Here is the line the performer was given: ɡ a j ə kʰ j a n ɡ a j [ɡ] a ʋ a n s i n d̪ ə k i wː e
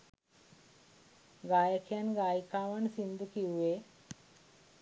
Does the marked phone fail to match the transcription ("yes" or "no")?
yes